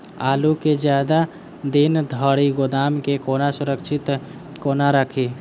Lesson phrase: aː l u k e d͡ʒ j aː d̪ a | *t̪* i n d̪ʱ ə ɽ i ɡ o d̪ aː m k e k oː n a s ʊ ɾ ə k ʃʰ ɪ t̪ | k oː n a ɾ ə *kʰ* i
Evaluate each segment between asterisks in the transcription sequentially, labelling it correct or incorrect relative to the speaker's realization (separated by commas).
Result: incorrect, correct